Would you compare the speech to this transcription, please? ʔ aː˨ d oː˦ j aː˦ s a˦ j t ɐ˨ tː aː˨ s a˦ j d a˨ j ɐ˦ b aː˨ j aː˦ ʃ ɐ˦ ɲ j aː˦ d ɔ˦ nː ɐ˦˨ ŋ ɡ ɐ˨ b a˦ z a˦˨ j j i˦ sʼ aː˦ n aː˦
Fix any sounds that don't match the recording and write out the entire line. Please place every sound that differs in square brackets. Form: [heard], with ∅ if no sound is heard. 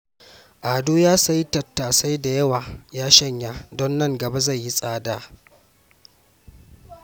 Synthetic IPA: ʔ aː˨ d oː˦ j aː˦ s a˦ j t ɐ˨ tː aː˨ s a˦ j d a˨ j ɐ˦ [w] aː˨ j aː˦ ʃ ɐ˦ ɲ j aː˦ d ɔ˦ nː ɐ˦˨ ŋ ɡ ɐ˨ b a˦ z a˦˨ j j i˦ sʼ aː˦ [d] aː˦